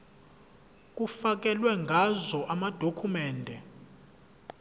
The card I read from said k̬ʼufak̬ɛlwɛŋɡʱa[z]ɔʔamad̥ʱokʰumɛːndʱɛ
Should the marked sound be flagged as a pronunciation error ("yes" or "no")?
no